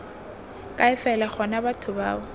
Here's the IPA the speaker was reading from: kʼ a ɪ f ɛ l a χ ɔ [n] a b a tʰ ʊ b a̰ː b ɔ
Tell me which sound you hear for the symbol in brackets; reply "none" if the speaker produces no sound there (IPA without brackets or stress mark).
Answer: n